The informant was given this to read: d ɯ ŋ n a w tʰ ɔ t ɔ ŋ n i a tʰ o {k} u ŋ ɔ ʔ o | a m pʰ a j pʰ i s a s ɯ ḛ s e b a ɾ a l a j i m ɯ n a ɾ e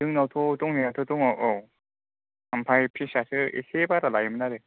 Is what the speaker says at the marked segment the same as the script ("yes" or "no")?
no